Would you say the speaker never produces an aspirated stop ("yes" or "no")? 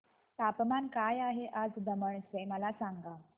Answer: yes